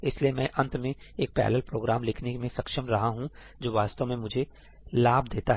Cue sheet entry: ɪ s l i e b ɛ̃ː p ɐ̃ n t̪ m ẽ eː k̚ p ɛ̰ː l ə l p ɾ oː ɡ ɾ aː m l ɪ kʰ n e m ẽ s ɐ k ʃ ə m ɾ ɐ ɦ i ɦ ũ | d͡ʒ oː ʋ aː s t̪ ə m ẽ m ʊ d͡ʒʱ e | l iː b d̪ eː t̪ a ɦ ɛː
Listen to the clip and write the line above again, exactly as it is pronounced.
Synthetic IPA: ɪ s l i e m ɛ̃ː ʔ ɐ̃ n t̪ m ẽ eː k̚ p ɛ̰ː l ə l p ɾ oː ɡ ɾ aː m l ɪ kʰ n e m ẽ s ɐ k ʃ ə m ɾ ɐ ɦ a ɦ ũ | d͡ʒ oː ʋ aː s t̪ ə m ẽ m ʊ d͡ʒʱ e | l aː b d̪ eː t̪ a ɦ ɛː